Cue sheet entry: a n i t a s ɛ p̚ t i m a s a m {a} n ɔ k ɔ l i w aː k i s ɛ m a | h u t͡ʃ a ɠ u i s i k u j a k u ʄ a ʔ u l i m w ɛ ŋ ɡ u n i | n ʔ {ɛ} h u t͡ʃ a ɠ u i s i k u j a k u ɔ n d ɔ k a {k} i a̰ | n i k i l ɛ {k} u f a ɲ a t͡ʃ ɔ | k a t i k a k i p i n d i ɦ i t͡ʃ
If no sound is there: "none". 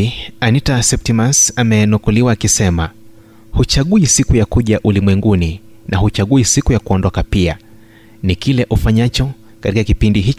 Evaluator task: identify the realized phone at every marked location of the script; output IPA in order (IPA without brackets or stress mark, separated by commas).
ɛ, a, p, ʔ